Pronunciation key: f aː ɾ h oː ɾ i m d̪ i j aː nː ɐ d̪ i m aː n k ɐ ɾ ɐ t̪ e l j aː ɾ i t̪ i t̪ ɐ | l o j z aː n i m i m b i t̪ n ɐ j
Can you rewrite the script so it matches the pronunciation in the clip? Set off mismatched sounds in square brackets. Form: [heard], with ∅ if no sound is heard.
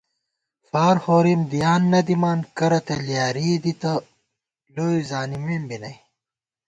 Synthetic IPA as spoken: f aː ɾ h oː ɾ i m d̪ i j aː nː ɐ d̪ i m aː n k ɐ ɾ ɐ t̪ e l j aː ɾ i [d̪] i t̪ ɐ | l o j z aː n i m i m b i [∅] n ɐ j